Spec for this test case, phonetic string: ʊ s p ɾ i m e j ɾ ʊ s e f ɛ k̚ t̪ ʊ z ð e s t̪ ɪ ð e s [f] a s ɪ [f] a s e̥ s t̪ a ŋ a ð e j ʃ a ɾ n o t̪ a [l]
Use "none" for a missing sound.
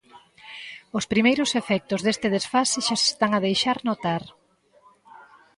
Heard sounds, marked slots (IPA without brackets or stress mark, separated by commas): f, ʃ, ɾ